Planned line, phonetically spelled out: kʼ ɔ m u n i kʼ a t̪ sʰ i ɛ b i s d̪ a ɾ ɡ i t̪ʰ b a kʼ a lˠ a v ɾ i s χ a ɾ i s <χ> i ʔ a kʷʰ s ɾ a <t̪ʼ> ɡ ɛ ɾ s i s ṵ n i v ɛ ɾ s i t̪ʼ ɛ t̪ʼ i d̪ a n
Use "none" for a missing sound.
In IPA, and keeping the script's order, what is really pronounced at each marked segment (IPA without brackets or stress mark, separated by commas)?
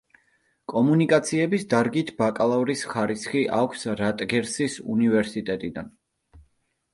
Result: χ, t̪ʼ